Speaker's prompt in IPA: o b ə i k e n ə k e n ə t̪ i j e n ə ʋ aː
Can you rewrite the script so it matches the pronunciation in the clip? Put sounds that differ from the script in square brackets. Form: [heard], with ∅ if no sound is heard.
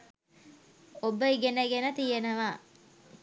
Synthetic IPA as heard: o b ə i [ɡ] e n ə [ɡ] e n ə t̪ i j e n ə ʋ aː